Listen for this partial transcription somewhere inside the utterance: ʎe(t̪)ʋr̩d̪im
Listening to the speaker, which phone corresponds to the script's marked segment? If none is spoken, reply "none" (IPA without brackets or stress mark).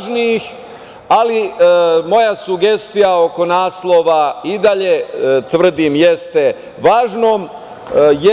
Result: t̪